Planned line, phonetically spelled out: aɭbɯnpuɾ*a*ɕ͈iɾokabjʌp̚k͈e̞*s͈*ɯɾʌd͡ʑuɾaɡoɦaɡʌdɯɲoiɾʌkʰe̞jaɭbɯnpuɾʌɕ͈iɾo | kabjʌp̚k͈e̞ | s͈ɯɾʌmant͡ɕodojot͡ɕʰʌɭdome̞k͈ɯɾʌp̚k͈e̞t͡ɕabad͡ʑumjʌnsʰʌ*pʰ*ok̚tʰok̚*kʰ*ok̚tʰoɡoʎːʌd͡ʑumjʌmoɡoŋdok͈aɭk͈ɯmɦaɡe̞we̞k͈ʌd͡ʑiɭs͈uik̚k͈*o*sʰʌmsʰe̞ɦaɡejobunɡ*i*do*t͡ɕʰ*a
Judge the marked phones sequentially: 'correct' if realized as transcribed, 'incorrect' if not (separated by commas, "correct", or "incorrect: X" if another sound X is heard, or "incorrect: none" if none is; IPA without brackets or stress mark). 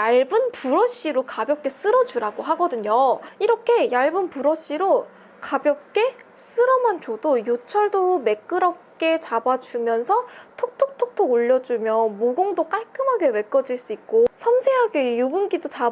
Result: incorrect: ʌ, correct, incorrect: tʰ, incorrect: tʰ, correct, correct, incorrect: t͡ɕ